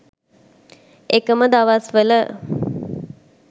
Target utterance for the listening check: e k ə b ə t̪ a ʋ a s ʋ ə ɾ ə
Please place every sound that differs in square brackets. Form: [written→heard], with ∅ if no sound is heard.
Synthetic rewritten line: e k ə [b→m] ə [t̪→d̪] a ʋ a s ʋ ə [ɾ→l] ə

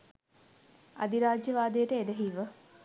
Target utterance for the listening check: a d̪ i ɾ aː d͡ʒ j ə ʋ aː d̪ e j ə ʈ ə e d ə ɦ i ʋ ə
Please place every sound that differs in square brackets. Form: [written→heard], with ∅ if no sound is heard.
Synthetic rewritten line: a d̪ i ɾ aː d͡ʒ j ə ʋ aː d̪ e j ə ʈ ə e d ə ɦ i ʋ ə

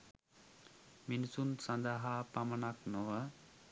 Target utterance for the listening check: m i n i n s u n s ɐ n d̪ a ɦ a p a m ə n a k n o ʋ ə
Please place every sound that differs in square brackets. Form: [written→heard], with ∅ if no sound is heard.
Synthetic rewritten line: m i n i [n→∅] s u n s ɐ n d̪ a ɦ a p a m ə n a k n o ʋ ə

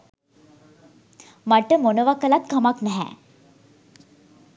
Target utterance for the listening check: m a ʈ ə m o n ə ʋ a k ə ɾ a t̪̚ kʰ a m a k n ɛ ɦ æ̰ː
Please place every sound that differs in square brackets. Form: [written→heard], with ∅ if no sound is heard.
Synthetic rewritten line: m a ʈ ə m o n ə ʋ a k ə [ɾ→l] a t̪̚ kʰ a m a k n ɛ ɦ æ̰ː

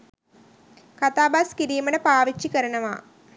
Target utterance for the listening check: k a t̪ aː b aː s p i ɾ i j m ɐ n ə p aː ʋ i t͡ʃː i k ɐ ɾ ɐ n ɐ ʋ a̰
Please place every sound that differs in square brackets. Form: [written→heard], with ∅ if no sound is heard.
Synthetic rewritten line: k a t̪ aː b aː s [p→k] i ɾ i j m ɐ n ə p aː ʋ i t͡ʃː i k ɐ ɾ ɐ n ɐ ʋ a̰

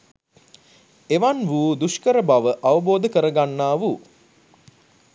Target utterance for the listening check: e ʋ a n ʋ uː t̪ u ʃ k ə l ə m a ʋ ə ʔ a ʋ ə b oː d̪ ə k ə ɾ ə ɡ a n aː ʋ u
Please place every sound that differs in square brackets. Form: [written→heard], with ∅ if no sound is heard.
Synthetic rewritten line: e ʋ a n ʋ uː [t̪→d̪] u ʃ k ə [l→ɾ] ə [m→b] a ʋ ə ʔ a ʋ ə b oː d̪ ə k ə ɾ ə ɡ a [n→nː] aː ʋ u

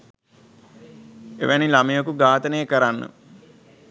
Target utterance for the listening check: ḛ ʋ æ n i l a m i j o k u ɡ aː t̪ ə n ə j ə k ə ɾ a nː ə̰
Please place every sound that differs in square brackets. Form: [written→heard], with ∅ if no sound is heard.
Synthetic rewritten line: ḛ ʋ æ n i l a m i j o k u ɡ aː t̪ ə n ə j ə k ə ɾ a nː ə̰

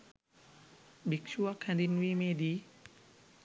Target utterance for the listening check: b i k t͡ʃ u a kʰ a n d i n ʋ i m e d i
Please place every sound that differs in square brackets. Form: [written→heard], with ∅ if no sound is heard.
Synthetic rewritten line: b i k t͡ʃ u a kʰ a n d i n [ʋ→w] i m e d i

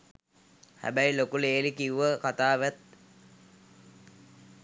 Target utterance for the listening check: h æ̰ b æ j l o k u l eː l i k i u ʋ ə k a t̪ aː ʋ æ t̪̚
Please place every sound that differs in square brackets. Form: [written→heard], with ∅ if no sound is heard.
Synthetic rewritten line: h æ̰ b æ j l o k u l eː l i k i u ʋ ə k a t̪ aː ʋ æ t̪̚

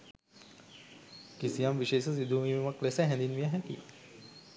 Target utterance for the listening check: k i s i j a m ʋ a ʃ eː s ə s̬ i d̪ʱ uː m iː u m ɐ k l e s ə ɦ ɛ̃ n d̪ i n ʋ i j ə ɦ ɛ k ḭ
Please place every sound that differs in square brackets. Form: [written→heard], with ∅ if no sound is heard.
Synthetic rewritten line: k i s i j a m ʋ [a→i] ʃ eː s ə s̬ i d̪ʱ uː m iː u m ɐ k l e s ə ɦ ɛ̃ n d̪ i n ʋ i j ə ɦ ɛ k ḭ

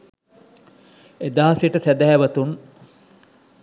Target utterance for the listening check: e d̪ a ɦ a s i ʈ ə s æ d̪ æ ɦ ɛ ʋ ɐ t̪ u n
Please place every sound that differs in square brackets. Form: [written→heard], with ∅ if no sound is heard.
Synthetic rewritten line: e d̪ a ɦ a s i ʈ ə s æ d̪ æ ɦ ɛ ʋ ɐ t̪ u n

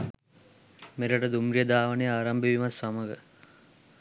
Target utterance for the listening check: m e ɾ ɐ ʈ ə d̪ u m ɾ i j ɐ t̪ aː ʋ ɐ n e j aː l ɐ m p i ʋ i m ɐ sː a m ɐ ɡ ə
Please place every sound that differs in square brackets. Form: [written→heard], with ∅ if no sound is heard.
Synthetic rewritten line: m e ɾ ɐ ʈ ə d̪ u m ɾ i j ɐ [t̪→d̪] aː ʋ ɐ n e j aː [l→ɾ] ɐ m [p→b] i ʋ i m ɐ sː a m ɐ ɡ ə

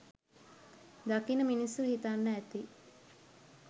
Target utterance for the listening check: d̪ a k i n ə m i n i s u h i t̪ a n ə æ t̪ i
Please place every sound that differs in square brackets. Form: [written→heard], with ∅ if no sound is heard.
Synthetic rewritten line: d̪ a k i n ə m i n i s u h i t̪ a [n→nː] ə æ t̪ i

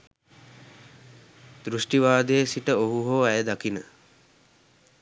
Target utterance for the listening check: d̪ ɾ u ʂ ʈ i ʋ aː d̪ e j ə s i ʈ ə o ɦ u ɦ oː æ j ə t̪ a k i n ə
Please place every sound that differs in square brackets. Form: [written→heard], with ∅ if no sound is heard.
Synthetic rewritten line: d̪ ɾ u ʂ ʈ i ʋ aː d̪ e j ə s i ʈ ə o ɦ u ɦ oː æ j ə [t̪→d̪] a k i n ə

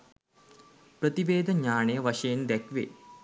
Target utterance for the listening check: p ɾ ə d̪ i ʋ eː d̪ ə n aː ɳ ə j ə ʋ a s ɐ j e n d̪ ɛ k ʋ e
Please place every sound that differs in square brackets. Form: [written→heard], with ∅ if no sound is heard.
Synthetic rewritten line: p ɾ ə [d̪→t̪] i ʋ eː d̪ ə [n→ɲ] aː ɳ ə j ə ʋ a [s→ʂ] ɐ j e n d̪ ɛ k ʋ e

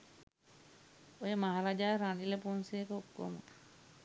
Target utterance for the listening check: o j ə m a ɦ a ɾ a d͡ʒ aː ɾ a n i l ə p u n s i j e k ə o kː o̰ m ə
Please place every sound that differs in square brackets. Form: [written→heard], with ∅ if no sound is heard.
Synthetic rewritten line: o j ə m a ɦ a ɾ a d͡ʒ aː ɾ a n i l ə p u n s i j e k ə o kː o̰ m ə

